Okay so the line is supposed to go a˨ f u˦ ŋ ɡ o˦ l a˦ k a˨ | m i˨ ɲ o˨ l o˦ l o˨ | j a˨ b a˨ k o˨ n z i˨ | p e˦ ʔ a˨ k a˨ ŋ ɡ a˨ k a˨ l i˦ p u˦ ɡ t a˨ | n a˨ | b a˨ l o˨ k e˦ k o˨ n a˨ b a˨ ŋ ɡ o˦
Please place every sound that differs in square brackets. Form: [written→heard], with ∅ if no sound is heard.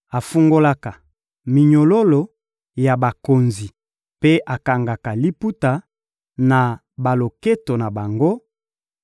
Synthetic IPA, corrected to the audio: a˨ f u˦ ŋ ɡ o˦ l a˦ k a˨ | m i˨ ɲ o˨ l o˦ l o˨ | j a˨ b a˨ k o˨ n z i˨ | p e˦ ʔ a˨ k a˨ ŋ ɡ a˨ k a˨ l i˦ p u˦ [ɡ→∅] t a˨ | n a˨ | b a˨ l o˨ k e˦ [k→t] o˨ n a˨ b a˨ ŋ ɡ o˦